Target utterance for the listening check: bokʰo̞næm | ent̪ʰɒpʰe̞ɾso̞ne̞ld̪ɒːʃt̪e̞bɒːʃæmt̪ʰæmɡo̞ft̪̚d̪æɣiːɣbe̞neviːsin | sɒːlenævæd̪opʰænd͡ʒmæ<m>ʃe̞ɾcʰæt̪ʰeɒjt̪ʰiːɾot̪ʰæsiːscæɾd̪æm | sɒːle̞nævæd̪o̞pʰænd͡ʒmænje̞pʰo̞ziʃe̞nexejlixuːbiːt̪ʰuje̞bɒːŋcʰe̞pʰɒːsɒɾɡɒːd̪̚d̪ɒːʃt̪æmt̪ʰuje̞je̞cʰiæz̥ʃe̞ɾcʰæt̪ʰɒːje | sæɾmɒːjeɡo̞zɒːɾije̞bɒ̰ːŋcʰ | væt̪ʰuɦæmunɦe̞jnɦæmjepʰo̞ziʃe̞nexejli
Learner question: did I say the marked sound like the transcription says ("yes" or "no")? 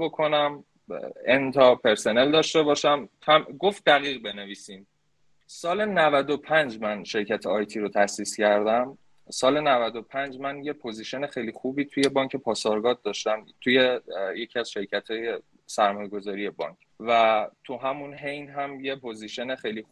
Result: no